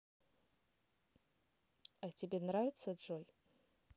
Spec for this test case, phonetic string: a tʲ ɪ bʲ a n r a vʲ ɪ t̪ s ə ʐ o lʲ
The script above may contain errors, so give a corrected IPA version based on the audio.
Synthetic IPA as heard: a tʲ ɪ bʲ e n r a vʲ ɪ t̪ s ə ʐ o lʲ

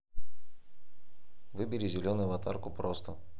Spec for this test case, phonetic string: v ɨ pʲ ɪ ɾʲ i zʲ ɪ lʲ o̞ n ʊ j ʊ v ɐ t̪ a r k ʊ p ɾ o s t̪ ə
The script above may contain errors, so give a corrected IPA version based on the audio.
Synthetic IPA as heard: v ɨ bʲ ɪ ɾʲ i zʲ ɪ lʲ o̞ n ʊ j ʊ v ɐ t̪ a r k ʊ p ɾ o s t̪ ə

